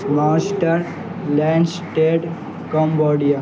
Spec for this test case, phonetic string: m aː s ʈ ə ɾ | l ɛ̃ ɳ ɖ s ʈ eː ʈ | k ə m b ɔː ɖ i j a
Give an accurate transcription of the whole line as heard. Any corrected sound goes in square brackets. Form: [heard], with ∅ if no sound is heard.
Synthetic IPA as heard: m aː s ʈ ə ɾ | l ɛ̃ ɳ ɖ s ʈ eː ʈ | k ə m b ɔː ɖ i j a

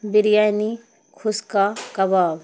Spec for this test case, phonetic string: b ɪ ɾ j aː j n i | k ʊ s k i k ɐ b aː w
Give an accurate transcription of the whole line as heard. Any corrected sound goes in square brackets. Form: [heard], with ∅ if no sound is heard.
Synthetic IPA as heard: b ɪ ɾ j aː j n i | [kʰ] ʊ s k [a] k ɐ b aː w

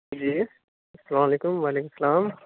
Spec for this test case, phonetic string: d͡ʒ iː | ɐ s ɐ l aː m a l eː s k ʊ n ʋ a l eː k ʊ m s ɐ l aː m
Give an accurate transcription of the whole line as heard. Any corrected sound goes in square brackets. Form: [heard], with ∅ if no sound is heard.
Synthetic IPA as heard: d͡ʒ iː | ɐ s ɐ l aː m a l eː [∅] k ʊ [m] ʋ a l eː k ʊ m s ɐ l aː m

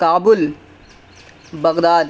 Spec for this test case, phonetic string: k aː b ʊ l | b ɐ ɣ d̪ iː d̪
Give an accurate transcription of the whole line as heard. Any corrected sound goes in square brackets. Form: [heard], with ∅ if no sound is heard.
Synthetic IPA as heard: k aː b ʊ l | b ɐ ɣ d̪ [aː] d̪

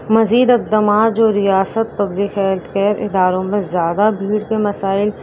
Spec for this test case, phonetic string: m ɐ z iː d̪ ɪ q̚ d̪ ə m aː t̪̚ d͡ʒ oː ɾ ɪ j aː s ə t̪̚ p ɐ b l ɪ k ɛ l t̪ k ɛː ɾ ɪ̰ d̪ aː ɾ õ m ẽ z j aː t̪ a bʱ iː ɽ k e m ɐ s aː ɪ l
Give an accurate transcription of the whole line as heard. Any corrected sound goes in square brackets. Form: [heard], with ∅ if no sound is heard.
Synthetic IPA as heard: m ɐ z iː d̪ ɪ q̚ d̪ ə m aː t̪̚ d͡ʒ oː ɾ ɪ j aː s ə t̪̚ p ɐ b l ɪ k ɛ l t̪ k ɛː ɾ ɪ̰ d̪ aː ɾ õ m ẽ z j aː [d̪] a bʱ iː ɽ k e m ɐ s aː ɪ l

